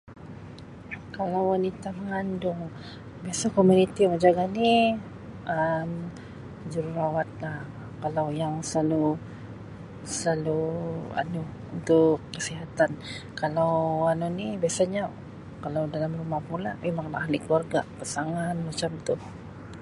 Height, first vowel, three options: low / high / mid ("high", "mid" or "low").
low